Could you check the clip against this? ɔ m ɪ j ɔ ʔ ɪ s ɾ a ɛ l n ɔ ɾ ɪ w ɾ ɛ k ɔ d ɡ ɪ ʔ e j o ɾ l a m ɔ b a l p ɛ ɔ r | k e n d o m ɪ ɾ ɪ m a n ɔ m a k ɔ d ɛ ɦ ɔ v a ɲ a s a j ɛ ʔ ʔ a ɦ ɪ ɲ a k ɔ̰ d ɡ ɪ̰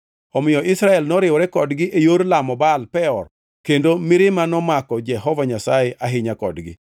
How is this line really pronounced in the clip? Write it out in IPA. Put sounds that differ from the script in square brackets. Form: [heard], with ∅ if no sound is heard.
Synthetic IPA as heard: ɔ m ɪ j ɔ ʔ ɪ s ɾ a ɛ l n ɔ ɾ ɪ w ɾ ɛ k ɔ d ɡ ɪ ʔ e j o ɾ l a m ɔ b a l p ɛ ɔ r | k e n d o m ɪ ɾ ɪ m a n ɔ m a k ɔ [d͡ʒ] ɛ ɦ ɔ v a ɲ a s a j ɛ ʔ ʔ a ɦ ɪ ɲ a k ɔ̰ d ɡ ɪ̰